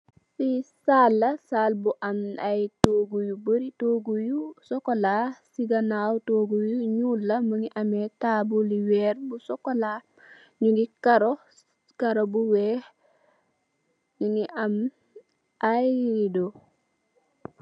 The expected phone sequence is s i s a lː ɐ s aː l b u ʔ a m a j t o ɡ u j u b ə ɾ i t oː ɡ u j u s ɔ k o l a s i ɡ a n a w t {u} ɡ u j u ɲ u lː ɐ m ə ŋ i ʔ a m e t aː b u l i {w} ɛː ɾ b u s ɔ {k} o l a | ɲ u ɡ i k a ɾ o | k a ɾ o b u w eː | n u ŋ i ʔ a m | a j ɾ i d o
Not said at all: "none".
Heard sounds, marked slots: o, w, k

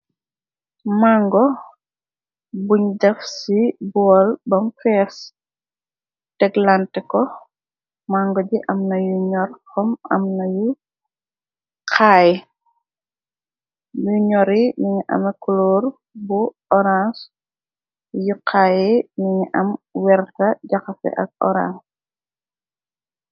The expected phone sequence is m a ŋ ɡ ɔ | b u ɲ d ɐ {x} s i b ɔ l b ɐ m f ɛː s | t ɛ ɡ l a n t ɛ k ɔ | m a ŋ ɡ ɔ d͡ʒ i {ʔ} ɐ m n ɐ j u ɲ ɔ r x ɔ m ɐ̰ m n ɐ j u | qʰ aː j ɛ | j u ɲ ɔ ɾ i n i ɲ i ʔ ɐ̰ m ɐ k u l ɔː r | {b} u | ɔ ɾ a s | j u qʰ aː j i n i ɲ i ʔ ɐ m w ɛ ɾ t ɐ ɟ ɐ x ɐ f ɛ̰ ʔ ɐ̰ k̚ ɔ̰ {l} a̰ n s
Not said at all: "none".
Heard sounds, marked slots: f, ʔ, b, ɾ

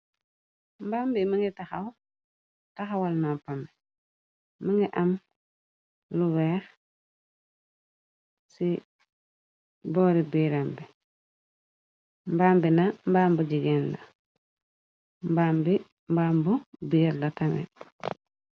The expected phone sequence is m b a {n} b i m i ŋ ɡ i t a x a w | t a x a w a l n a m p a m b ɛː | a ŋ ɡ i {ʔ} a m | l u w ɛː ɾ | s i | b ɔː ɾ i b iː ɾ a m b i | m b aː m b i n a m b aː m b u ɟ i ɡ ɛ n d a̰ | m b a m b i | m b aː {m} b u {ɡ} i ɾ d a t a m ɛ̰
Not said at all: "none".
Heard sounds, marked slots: m, ʔ, m, b

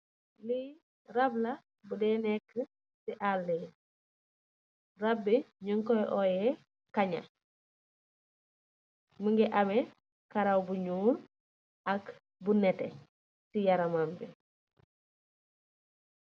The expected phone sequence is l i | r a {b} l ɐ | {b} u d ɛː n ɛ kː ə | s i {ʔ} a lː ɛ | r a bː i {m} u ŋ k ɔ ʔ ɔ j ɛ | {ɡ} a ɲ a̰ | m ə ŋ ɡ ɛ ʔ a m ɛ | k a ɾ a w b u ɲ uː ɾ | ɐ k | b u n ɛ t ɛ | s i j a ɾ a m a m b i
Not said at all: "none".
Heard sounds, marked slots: b, b, ʔ, ɲ, k

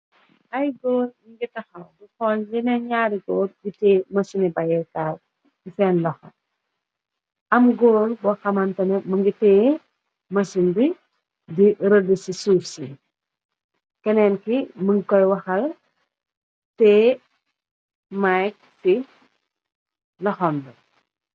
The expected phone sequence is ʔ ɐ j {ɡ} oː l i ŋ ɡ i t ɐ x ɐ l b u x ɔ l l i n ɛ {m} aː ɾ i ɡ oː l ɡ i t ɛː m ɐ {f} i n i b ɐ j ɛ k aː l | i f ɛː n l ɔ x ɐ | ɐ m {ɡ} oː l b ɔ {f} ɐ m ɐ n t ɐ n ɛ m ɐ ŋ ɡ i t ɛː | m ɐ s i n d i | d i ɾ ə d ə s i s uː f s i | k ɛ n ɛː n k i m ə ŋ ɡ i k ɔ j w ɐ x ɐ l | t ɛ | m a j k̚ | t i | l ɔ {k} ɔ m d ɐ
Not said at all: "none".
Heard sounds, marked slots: ɡ, ɲ, s, ɡ, x, x

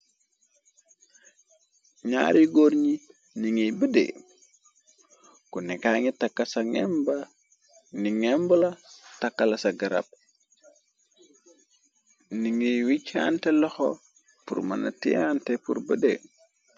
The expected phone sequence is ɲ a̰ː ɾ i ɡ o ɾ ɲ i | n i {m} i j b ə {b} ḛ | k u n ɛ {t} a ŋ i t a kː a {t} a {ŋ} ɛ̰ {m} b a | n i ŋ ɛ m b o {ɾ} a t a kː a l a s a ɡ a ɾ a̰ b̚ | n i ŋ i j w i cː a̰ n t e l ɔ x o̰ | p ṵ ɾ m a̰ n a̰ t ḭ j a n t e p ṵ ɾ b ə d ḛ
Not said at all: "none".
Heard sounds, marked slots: ŋ, d, k, s, ŋ, m, l

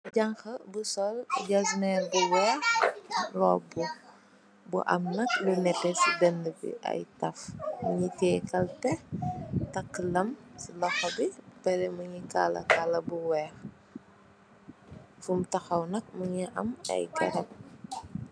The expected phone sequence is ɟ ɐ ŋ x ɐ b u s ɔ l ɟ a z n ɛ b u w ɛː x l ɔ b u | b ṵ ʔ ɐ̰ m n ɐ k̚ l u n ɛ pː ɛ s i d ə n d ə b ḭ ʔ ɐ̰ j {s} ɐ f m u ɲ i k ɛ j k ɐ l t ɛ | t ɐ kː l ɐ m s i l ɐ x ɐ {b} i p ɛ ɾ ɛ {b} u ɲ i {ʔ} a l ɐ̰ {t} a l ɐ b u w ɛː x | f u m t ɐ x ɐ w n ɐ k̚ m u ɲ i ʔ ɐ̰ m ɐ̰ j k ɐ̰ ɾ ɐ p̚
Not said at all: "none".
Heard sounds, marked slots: t, b, m, k, k

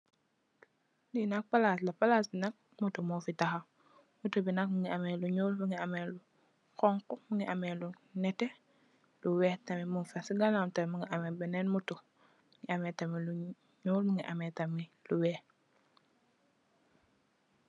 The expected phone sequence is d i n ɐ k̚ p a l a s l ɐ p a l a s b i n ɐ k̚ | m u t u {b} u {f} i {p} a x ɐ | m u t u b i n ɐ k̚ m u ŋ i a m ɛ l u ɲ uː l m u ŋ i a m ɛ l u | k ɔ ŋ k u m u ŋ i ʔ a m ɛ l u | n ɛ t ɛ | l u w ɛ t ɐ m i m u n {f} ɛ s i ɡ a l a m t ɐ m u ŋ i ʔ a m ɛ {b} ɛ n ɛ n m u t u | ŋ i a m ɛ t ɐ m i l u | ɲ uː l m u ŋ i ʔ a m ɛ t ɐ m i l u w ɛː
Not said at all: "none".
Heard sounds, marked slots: m, f, t, f, b

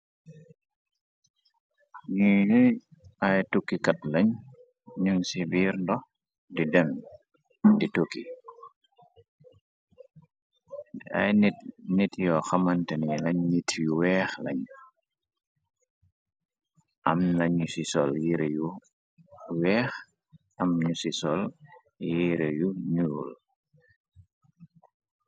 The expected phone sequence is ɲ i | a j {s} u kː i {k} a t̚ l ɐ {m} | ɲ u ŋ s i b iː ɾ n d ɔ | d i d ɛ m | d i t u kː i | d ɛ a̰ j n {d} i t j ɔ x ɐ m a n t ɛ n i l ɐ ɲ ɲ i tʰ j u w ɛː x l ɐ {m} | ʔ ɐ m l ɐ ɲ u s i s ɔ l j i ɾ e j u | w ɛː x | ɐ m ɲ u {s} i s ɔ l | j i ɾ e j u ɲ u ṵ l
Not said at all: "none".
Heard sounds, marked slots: t, k, ɲ, n, ɲ, s

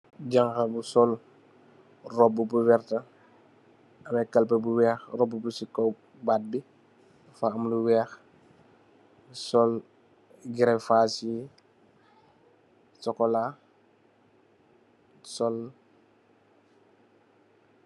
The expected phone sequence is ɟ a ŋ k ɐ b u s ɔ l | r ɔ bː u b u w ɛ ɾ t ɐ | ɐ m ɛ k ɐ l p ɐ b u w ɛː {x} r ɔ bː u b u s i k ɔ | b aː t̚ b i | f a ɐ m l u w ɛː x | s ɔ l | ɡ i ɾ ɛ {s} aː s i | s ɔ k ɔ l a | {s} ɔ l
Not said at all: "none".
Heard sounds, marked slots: x, f, s

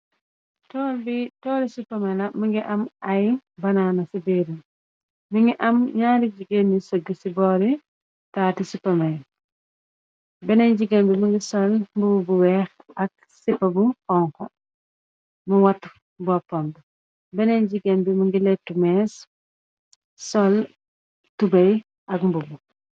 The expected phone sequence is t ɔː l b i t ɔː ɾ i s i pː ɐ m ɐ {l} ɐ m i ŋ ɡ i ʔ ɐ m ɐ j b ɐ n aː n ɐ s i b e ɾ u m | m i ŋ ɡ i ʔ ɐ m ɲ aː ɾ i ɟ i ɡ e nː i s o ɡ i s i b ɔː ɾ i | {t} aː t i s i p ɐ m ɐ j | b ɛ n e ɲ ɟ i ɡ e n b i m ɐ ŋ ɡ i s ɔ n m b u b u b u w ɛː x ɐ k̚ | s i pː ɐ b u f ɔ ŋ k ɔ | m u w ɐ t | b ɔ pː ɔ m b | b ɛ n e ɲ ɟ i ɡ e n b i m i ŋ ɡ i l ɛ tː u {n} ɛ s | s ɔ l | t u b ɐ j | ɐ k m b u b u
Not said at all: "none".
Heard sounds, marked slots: l, t, m

